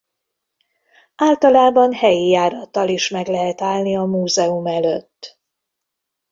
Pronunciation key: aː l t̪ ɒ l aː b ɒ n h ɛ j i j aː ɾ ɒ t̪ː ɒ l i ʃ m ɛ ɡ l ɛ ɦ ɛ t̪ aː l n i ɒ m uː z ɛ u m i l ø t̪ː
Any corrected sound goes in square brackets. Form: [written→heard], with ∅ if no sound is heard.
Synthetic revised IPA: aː l t̪ ɒ l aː b ɒ n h ɛ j i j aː ɾ ɒ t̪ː ɒ l i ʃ m ɛ ɡ l ɛ ɦ ɛ t̪ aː l n i ɒ m uː z ɛ u m [i→ɛ] l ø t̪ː